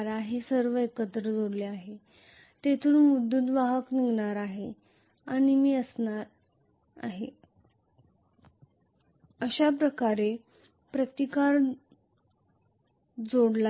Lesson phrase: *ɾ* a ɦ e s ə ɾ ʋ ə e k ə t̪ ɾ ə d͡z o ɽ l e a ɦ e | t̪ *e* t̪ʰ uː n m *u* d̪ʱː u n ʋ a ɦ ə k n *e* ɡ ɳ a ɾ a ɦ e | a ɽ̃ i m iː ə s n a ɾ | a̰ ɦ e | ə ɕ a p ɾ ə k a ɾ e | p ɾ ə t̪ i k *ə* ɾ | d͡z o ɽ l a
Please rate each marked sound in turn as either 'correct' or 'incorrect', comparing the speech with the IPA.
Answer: correct, correct, correct, incorrect, incorrect

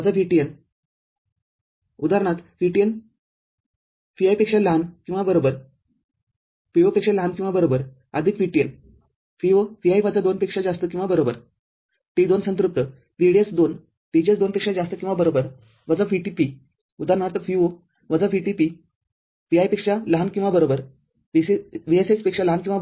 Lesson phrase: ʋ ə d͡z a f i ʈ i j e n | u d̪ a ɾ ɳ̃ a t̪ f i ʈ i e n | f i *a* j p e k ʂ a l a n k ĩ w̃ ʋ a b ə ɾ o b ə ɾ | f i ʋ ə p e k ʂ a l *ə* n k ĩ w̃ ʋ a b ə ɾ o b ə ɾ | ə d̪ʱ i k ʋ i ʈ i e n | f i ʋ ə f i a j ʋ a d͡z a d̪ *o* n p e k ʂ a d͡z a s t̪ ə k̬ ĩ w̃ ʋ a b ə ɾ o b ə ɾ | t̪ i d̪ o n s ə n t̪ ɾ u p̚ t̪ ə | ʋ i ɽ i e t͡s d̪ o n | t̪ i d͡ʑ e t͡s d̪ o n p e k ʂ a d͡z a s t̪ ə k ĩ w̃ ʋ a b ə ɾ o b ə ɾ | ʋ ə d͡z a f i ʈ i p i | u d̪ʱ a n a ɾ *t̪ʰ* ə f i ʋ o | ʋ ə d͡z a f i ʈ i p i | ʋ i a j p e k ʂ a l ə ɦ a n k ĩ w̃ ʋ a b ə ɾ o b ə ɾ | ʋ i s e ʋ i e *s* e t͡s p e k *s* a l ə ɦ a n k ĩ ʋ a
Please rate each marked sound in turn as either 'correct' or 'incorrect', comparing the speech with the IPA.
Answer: correct, incorrect, correct, incorrect, correct, incorrect

